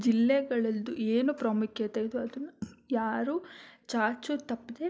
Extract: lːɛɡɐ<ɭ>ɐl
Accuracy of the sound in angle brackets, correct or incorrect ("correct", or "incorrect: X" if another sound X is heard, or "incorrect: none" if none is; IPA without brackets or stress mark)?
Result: correct